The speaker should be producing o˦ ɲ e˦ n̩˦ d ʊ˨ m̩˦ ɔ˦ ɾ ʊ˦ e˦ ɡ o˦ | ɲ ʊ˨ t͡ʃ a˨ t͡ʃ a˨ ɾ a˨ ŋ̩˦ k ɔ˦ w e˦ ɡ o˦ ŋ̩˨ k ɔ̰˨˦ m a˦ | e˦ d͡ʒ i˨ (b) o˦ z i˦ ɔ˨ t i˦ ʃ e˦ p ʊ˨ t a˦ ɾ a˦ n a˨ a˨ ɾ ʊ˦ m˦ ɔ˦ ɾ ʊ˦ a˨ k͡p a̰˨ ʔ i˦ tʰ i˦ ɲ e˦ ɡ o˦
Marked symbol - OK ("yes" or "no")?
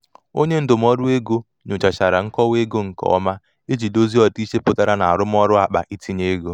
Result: no